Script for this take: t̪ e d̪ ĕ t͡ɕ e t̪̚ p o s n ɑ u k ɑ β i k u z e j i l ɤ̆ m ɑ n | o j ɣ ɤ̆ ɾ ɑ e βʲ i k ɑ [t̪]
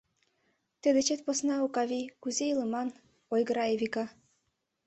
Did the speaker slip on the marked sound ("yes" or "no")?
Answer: yes